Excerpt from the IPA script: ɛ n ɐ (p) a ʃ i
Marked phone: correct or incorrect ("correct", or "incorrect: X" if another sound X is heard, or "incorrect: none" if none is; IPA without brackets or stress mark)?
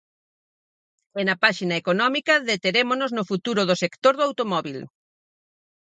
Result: correct